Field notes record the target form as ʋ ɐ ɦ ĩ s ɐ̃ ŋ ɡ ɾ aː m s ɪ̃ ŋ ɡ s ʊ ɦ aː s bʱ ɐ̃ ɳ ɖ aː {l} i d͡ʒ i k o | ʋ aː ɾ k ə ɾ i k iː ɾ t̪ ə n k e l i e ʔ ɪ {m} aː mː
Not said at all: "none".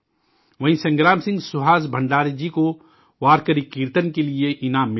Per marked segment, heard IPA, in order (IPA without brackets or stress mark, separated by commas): ɾ, n